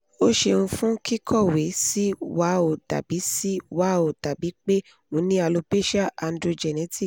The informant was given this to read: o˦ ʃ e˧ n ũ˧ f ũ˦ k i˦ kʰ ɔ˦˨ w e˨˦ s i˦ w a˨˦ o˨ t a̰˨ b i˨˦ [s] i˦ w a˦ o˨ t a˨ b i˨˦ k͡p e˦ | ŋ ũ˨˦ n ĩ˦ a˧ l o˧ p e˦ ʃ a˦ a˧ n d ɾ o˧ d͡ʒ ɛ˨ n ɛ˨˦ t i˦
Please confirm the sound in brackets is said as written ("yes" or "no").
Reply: yes